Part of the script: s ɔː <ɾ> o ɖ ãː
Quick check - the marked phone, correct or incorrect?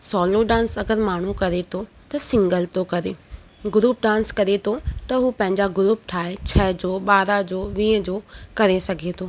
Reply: incorrect: l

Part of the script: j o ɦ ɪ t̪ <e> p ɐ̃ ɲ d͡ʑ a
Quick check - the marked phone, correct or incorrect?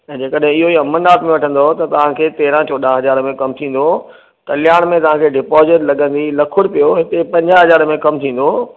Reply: correct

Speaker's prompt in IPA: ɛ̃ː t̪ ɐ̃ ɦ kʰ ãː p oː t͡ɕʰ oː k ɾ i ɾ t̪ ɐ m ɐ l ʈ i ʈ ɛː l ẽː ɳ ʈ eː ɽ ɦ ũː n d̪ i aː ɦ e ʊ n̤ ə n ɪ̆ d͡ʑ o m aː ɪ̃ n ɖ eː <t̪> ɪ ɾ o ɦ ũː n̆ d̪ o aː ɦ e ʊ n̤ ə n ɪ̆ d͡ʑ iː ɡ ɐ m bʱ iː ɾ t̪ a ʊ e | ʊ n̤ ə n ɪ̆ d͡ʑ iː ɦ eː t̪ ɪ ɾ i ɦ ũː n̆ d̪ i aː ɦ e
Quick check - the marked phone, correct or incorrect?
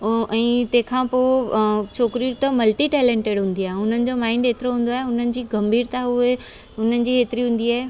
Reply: correct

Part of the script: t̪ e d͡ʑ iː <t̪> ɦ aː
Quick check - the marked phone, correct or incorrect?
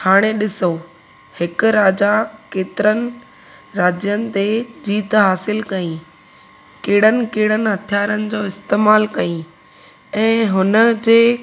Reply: correct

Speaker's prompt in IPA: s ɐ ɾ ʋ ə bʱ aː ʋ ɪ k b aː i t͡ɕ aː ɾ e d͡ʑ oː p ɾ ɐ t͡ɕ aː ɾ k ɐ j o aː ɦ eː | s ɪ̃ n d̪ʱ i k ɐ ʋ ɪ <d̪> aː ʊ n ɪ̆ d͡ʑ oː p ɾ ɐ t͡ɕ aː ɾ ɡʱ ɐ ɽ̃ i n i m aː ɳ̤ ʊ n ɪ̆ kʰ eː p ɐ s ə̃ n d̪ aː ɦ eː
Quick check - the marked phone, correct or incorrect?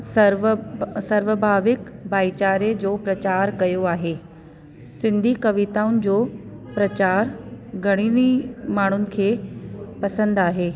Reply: incorrect: t̪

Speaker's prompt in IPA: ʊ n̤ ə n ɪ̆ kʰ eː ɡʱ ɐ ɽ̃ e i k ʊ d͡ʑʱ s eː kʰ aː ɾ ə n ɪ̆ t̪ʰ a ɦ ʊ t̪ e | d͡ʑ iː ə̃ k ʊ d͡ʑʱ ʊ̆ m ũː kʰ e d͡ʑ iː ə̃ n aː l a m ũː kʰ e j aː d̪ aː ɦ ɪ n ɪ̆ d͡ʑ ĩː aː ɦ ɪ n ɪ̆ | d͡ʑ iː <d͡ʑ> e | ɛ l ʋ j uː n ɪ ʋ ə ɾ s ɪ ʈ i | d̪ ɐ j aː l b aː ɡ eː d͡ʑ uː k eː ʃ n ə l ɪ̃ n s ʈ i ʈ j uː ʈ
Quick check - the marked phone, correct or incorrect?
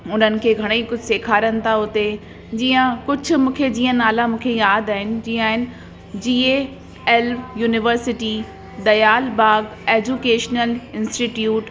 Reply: incorrect: none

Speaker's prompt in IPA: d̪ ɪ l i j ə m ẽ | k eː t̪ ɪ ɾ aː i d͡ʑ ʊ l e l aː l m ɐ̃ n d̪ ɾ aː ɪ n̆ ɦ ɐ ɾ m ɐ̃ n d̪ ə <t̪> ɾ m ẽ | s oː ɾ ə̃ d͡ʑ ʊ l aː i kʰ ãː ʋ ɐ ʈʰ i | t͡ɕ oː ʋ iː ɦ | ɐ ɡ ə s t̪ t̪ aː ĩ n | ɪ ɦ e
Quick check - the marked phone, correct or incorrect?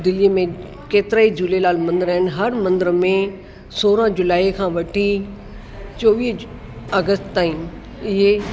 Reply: incorrect: none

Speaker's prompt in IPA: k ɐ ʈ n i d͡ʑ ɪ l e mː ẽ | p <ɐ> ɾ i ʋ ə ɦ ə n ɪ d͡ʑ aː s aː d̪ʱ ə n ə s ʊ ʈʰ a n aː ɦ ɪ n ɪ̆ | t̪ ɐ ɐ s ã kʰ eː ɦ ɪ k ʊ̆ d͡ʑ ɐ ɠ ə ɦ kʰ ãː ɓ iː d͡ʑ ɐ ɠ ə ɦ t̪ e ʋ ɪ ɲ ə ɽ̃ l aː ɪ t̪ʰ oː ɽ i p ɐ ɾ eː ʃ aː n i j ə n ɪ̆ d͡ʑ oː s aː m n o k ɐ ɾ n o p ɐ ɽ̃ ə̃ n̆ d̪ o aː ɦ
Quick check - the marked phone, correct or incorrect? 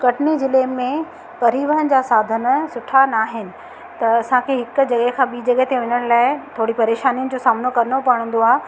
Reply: correct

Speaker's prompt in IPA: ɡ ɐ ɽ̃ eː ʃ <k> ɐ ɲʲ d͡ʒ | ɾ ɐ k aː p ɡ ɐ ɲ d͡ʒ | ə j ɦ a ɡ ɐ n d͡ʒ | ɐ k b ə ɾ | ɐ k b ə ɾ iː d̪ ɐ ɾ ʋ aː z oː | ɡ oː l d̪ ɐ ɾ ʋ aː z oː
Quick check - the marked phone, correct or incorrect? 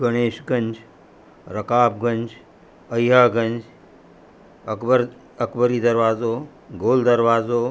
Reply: incorrect: ɡ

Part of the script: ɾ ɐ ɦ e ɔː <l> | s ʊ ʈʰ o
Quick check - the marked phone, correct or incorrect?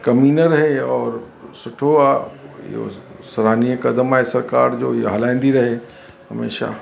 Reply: incorrect: ɾ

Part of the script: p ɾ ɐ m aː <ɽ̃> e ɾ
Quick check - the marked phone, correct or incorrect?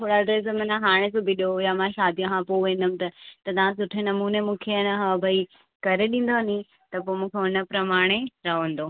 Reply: correct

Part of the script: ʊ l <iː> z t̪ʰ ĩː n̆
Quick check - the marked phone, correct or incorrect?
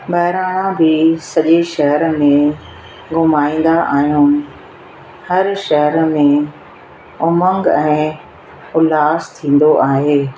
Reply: incorrect: aː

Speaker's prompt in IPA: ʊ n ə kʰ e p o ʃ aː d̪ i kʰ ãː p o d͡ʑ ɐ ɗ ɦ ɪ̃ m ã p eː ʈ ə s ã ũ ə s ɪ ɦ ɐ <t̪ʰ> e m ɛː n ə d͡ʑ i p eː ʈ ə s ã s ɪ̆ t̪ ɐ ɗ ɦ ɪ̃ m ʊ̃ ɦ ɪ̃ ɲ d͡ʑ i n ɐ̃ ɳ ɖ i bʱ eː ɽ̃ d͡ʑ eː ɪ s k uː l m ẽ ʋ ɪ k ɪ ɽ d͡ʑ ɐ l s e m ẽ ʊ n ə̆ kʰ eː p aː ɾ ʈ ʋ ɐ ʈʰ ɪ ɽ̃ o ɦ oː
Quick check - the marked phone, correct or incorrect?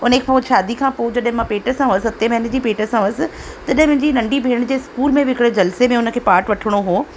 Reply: incorrect: t̪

